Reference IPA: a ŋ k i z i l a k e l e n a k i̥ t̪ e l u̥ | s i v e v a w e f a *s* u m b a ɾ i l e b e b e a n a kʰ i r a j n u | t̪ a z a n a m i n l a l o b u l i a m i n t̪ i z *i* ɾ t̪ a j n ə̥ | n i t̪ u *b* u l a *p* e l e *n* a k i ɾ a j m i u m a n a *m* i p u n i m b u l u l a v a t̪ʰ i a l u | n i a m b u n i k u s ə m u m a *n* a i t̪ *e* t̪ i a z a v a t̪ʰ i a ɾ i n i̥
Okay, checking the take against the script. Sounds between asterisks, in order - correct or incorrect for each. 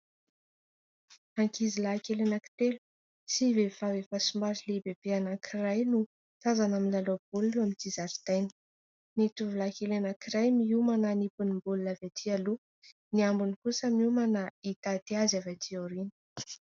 correct, incorrect: a, incorrect: v, incorrect: k, correct, incorrect: n, correct, incorrect: a

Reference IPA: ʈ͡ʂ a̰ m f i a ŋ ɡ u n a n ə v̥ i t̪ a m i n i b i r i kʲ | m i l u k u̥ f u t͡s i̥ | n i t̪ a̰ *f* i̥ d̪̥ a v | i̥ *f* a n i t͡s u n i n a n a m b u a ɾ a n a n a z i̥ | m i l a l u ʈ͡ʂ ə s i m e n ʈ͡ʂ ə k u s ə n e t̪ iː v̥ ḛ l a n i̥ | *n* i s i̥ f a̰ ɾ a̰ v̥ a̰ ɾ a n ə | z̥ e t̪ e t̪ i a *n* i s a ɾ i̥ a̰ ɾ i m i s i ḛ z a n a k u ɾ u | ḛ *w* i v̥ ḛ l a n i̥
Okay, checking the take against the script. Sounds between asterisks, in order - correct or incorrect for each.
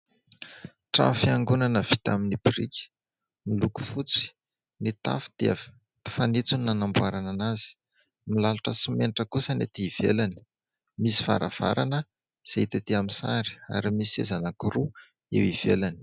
correct, correct, incorrect: m, incorrect: m, correct

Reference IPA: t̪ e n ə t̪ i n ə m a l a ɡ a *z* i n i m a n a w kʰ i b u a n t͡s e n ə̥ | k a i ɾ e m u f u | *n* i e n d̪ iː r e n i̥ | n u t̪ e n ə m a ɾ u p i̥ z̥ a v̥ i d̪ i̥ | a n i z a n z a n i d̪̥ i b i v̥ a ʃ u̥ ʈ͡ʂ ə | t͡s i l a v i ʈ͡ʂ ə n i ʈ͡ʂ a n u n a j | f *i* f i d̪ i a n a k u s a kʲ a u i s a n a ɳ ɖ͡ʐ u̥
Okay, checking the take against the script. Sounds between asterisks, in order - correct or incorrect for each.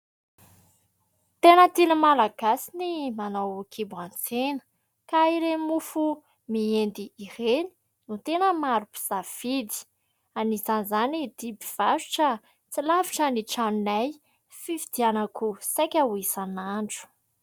incorrect: s, incorrect: m, correct

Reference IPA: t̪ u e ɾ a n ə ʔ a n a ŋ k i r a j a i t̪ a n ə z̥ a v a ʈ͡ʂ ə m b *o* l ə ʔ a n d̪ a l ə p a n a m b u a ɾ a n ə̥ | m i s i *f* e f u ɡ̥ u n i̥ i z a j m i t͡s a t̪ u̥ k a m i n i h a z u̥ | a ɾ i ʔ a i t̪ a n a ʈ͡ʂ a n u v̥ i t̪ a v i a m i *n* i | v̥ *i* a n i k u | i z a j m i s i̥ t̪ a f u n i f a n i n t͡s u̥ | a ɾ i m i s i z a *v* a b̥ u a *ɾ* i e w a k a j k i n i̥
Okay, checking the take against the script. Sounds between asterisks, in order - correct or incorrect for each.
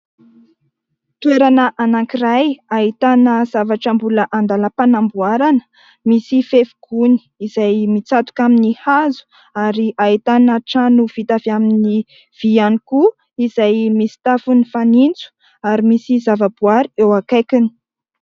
incorrect: u, correct, correct, correct, correct, correct

